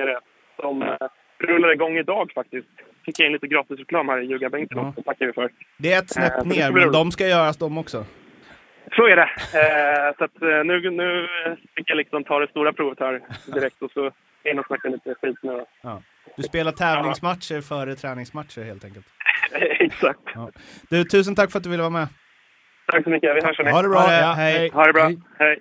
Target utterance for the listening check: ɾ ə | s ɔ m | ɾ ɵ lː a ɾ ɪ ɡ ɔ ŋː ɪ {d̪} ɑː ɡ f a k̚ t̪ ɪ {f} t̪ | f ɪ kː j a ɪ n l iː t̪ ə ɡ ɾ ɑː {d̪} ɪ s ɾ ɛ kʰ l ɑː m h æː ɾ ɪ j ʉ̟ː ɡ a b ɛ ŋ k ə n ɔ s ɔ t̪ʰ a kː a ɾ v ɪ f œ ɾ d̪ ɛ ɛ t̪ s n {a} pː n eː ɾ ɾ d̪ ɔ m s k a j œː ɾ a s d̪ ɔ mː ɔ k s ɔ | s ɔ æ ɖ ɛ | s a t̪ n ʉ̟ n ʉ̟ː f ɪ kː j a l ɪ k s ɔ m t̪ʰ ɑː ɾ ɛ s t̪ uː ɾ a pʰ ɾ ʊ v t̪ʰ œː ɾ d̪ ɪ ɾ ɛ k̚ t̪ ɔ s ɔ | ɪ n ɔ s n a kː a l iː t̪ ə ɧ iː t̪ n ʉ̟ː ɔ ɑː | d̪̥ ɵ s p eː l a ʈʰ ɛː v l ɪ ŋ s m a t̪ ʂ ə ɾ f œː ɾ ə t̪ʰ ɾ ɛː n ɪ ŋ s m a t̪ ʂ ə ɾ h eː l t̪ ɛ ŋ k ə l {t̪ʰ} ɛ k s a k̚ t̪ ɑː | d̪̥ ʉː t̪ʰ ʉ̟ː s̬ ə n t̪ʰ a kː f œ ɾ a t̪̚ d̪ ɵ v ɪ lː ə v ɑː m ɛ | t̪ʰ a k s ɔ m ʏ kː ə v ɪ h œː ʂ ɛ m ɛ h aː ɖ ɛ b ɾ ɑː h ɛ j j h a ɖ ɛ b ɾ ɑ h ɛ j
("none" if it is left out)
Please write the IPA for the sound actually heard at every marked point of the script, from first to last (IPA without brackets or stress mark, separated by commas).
d̪, s, t̪, ɛ, t̪